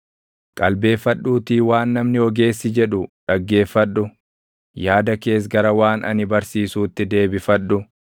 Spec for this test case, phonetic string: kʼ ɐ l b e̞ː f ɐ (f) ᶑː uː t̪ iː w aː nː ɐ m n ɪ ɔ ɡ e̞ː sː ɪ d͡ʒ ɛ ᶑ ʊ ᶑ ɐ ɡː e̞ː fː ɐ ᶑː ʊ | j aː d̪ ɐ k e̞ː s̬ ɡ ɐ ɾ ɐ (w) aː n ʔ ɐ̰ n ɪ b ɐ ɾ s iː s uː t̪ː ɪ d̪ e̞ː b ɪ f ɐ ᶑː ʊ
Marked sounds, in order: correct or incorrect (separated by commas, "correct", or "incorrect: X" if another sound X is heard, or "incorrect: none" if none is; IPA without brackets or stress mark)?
incorrect: none, correct